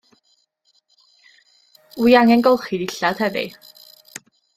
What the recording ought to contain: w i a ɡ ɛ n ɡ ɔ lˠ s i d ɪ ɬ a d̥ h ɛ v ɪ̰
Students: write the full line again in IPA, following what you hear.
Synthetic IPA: w i a ŋ ɛ n ɡ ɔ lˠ χ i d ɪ ɬ a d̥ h ɛ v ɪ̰